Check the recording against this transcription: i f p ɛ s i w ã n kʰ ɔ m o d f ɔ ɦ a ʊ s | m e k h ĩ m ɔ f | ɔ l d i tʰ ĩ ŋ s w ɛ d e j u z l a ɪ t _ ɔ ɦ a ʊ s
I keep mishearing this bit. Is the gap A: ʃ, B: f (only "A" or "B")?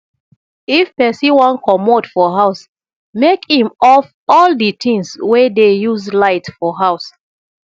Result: B